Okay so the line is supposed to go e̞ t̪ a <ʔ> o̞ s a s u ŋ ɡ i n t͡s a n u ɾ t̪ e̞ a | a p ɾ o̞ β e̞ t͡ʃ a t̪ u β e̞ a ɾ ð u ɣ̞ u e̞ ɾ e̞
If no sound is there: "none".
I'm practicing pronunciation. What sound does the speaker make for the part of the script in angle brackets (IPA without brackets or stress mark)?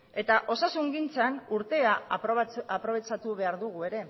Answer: ʔ